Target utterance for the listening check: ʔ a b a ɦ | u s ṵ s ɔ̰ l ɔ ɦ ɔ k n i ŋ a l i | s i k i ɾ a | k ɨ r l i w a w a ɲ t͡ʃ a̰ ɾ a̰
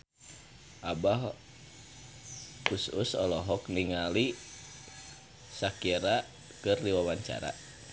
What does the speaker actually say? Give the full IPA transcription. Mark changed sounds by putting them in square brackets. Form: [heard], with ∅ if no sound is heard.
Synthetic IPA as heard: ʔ a b a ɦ | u s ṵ s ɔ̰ l ɔ ɦ ɔ k n i ŋ a l i | s [a] k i ɾ a | k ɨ r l i w a w a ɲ t͡ʃ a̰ ɾ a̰

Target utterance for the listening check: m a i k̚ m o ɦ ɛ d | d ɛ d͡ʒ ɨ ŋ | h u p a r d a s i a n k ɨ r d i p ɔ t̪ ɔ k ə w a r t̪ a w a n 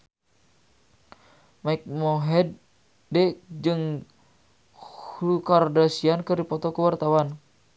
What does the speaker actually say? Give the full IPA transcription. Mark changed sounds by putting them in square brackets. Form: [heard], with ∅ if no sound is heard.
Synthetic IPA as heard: m a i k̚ m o ɦ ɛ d | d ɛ d͡ʒ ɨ ŋ | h u [k] a r d a s i a n k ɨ r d i p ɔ t̪ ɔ k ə w a r t̪ a w a n

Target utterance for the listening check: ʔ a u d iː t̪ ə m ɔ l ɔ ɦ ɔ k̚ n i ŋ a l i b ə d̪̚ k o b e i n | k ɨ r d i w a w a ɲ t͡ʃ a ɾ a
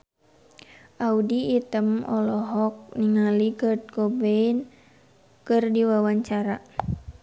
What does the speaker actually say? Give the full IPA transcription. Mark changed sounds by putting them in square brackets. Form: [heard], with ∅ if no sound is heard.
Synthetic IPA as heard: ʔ a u d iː t̪ ə m ɔ l ɔ ɦ ɔ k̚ n i ŋ a l i [ɡ] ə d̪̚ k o b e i n | k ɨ r d i w a w a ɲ t͡ʃ a ɾ a

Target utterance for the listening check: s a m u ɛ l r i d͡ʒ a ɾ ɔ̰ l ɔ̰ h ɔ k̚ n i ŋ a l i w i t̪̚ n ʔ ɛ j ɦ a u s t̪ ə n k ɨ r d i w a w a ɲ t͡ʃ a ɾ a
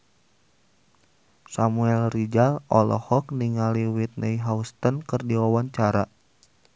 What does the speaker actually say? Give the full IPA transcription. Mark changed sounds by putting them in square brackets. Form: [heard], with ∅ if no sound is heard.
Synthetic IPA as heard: s a m u ɛ l r i d͡ʒ a [l] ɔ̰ l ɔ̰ h ɔ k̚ n i ŋ a l i w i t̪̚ n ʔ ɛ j ɦ a u s t̪ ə n k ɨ r d i w a w a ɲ t͡ʃ a ɾ a

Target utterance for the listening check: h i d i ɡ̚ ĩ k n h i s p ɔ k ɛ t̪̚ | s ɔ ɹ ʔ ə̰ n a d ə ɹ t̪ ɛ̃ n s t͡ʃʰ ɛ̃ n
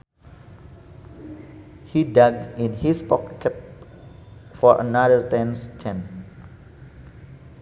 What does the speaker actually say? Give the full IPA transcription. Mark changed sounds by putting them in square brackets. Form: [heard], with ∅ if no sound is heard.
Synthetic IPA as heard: h i d [a] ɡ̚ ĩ [∅] n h i s p ɔ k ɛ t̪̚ | [f] ɔ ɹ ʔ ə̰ n a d ə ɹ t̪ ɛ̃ n s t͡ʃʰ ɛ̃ n

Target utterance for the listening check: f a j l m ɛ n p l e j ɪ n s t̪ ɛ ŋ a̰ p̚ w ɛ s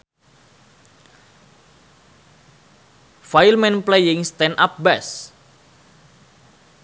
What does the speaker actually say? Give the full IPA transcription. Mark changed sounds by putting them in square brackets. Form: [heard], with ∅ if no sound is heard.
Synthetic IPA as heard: f a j l m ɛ n p l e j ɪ [ŋ] s t̪ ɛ [n] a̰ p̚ [b] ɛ s

